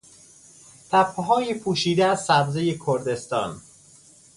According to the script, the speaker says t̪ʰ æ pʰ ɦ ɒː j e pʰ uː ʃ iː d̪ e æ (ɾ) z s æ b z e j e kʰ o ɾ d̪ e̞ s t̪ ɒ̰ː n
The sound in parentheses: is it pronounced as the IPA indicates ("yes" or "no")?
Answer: no